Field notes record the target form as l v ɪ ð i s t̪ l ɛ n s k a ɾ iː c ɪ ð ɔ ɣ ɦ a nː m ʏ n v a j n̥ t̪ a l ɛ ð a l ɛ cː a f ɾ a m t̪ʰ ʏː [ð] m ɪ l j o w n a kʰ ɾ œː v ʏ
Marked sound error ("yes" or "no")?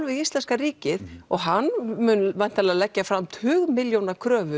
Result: yes